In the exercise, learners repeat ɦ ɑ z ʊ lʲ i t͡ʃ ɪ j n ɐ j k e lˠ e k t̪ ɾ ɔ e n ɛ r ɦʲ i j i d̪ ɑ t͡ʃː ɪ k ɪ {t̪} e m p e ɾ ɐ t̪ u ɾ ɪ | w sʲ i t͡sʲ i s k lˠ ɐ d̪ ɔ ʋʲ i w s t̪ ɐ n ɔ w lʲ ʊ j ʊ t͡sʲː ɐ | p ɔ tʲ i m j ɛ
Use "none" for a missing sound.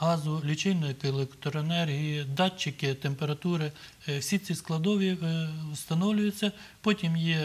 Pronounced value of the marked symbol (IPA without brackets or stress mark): t̪